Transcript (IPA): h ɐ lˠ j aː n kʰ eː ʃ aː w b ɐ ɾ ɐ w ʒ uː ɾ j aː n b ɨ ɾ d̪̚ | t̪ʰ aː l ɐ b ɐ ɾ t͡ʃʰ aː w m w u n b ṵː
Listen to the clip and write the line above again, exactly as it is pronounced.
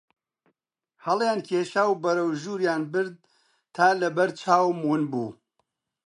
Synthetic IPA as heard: h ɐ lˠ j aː n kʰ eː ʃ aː w b ɐ ɾ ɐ w ʒ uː ɾ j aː n b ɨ ɾ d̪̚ | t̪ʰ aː l ɐ b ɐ ɾ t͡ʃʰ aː w m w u n b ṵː